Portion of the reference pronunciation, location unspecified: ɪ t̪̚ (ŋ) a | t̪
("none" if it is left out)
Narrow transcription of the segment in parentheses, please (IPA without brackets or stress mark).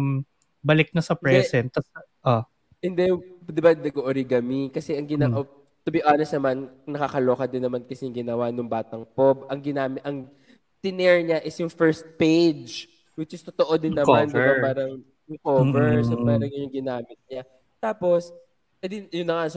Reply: ɲ